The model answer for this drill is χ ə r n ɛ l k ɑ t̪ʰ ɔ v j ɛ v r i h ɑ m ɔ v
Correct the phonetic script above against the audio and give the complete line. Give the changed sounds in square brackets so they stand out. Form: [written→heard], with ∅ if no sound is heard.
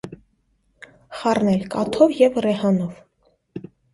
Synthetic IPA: χ [ə→ɑ] r n ɛ l k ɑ t̪ʰ ɔ v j ɛ v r [i→ɛ] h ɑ [m→n] ɔ v